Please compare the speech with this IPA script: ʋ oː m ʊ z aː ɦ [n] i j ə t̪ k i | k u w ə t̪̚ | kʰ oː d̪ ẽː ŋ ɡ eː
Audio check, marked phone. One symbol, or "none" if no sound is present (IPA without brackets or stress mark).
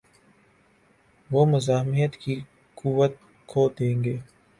m